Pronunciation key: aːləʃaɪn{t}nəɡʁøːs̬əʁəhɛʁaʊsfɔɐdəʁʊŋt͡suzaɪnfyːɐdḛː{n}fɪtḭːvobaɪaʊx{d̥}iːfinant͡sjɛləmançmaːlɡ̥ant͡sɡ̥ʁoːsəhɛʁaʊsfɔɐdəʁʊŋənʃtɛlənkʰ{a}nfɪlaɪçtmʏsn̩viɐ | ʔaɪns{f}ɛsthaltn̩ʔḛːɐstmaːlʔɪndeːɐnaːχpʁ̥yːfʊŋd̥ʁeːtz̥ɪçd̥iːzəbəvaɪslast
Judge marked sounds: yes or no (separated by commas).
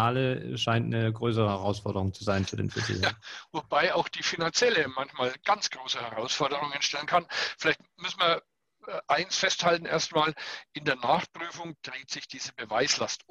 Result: yes, yes, yes, yes, yes